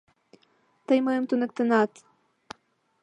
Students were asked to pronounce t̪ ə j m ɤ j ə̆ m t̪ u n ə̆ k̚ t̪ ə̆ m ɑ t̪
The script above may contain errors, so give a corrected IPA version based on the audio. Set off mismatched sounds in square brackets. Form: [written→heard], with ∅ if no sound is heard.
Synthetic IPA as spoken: t̪ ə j m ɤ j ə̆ m t̪ u n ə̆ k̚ t̪ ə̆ [m→n] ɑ t̪